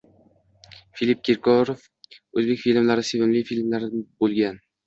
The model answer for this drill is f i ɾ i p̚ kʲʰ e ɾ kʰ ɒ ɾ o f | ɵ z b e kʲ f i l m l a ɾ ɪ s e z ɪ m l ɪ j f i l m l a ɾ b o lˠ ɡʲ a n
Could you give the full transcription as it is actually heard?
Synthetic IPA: f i l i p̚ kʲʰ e ɾ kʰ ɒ ɾ o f | ɵ z b e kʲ f i l m l a ɾ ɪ s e v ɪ m l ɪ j f i l m l a ɾ b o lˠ ɡʲ a n